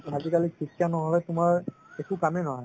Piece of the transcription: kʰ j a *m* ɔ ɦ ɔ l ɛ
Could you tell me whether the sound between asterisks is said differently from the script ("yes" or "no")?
yes